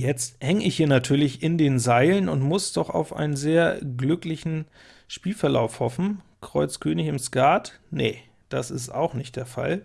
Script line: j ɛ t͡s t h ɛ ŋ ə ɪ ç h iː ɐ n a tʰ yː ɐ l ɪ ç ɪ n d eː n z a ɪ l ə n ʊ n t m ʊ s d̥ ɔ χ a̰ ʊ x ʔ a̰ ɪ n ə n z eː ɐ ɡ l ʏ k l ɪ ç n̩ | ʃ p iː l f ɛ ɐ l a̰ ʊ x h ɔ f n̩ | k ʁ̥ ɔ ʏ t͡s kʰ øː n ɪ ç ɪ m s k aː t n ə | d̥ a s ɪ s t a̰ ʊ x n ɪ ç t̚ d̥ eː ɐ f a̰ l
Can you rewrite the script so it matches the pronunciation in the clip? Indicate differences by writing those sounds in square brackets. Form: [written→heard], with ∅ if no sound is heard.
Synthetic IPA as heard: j ɛ t͡s t h ɛ ŋ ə ɪ ç h iː ɐ n a tʰ yː ɐ l ɪ ç ɪ n d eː n z a ɪ l ə n ʊ n t m ʊ s d̥ ɔ χ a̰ ʊ [x→f] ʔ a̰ ɪ n ə n z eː ɐ ɡ l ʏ k l ɪ ç n̩ | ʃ p iː l f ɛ ɐ l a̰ ʊ [x→f] h ɔ f n̩ | k ʁ̥ ɔ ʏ t͡s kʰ øː n ɪ ç ɪ m s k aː t n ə | d̥ a s ɪ s t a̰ ʊ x n ɪ ç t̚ d̥ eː ɐ f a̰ l